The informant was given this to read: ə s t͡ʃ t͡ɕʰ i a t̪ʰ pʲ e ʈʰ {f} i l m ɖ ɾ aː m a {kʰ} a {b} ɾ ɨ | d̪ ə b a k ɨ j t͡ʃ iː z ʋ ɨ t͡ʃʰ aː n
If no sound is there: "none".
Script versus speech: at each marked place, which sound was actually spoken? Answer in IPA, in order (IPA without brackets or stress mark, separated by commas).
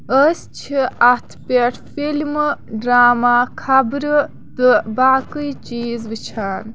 f, kʰ, b